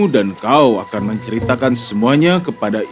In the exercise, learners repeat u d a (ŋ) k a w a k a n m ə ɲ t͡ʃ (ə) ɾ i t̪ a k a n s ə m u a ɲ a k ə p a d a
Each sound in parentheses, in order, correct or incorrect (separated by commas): incorrect, correct